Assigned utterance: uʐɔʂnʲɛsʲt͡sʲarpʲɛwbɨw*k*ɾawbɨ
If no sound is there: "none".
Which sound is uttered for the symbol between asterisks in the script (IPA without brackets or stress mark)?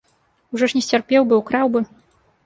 k